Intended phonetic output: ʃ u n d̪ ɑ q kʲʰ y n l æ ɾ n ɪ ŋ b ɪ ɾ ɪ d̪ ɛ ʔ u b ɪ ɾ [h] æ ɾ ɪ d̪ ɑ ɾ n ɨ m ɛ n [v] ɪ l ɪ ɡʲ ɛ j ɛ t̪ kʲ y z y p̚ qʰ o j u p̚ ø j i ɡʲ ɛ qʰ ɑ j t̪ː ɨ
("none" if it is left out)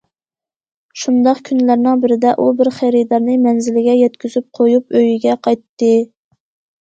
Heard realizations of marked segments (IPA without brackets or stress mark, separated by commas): χ, z